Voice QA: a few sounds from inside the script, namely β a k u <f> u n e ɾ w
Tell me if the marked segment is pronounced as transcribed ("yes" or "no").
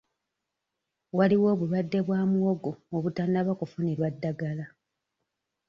yes